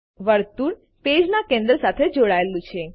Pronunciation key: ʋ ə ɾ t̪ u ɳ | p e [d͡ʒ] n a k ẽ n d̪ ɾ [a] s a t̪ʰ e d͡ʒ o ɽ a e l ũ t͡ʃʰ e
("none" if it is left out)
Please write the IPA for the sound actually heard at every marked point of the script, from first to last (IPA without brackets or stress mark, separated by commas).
d͡ʒ, ə